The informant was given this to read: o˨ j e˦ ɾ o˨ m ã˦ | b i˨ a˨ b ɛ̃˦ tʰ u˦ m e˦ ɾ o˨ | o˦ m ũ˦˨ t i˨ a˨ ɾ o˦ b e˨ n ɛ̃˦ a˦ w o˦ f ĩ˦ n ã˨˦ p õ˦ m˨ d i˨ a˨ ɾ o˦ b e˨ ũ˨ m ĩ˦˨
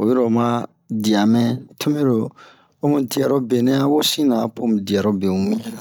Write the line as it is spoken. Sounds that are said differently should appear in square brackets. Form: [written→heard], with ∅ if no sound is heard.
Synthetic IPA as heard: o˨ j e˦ ɾ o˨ m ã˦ | [b→d] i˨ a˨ [b→m] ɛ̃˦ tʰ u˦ m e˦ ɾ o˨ | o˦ m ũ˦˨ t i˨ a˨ ɾ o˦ b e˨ n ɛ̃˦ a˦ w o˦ [f→s] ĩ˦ n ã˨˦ p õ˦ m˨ d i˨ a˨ ɾ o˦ b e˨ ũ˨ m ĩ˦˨